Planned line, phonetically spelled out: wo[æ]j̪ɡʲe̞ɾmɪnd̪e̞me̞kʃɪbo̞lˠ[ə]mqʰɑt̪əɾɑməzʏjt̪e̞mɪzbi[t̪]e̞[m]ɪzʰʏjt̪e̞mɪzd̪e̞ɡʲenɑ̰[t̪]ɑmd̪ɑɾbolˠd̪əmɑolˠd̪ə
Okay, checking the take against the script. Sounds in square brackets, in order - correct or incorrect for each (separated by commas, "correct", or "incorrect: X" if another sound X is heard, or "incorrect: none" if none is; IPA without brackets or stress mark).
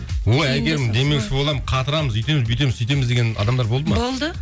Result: correct, incorrect: ɑ, correct, correct, incorrect: d̪